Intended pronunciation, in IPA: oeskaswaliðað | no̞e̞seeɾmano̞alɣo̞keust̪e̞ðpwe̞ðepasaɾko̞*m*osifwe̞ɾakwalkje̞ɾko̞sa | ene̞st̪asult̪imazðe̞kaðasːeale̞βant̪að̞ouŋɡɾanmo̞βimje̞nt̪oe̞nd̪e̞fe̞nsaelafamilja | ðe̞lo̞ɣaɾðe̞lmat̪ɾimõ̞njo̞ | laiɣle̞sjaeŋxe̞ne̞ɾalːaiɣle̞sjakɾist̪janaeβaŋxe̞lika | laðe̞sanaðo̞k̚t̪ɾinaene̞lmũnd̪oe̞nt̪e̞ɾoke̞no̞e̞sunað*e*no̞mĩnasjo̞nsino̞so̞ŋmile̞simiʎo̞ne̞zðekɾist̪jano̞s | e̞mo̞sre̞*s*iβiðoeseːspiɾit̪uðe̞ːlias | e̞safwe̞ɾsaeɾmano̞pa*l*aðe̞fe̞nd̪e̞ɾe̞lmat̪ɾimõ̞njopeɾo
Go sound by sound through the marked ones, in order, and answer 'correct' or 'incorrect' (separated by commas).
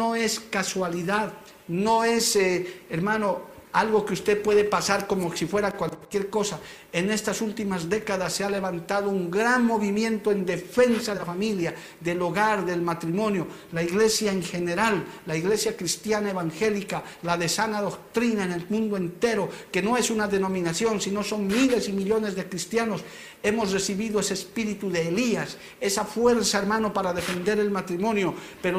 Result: correct, correct, correct, incorrect